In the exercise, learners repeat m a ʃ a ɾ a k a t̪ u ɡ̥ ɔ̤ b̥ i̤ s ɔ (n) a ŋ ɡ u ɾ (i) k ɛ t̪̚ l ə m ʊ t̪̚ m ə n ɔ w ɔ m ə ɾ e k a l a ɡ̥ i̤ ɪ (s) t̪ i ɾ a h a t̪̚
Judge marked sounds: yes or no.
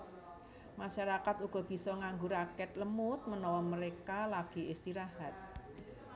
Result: no, no, yes

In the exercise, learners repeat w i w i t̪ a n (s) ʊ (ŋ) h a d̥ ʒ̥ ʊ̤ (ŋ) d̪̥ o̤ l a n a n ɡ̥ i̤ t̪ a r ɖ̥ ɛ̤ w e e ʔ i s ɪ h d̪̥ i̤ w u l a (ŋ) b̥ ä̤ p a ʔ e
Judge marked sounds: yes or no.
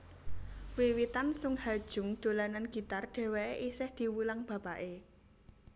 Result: yes, yes, yes, yes

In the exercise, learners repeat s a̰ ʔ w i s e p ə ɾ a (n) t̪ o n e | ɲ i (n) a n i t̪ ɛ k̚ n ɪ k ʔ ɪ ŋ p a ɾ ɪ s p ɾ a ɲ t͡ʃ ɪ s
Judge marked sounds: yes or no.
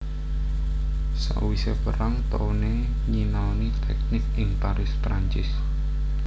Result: no, yes

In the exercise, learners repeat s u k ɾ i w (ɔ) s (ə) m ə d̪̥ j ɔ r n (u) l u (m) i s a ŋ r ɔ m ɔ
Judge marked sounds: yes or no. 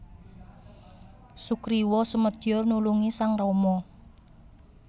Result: yes, yes, yes, no

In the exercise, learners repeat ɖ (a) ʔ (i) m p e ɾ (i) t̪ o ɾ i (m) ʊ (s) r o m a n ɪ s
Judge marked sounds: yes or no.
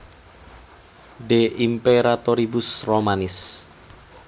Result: no, yes, no, no, yes

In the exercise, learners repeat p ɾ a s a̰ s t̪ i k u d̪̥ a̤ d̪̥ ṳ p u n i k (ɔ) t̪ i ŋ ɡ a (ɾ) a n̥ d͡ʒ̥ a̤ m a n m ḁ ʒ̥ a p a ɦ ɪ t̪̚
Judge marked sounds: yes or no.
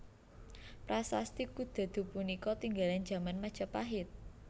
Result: yes, no

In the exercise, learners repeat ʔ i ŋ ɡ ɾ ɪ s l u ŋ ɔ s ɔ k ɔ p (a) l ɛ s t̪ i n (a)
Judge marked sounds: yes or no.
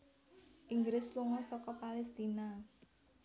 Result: yes, yes

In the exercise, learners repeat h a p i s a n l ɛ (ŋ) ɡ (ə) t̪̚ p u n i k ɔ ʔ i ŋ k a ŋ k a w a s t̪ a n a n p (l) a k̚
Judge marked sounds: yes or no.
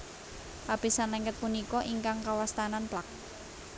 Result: yes, yes, yes

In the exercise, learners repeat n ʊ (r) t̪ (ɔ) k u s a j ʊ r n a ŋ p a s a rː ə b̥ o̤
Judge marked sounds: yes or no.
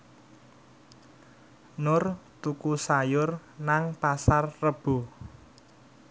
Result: yes, no

